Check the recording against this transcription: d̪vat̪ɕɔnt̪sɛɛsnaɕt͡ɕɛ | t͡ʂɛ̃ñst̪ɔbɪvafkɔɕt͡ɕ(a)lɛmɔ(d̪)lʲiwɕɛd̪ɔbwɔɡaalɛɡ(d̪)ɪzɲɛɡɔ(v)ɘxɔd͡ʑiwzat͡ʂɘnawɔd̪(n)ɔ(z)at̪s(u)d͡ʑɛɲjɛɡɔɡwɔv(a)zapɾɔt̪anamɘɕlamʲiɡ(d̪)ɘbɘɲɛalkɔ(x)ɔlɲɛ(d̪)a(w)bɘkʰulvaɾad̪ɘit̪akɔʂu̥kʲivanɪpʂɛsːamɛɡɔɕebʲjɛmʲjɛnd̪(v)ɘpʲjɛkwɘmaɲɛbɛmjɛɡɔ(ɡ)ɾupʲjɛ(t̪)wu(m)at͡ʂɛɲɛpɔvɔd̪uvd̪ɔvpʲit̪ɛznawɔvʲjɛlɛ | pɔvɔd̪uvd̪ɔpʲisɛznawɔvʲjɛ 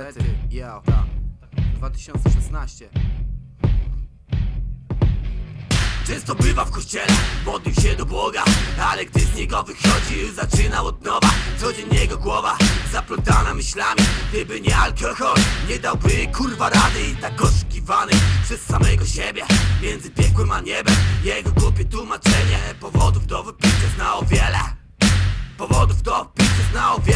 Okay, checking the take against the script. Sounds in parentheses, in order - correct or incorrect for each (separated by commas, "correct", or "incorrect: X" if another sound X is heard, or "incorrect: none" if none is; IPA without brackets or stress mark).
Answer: incorrect: ɛ, correct, correct, correct, correct, incorrect: v, incorrect: ɔ, correct, correct, correct, correct, correct, incorrect: z, correct, correct, correct